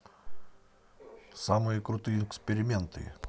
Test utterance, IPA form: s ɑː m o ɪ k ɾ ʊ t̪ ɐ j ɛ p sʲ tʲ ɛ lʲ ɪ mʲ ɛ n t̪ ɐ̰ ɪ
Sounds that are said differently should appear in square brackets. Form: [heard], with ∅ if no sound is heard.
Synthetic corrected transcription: s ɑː m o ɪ k ɾ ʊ t̪ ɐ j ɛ [k] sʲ [pʲ] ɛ [ɾʲ] ɪ mʲ ɛ n t̪ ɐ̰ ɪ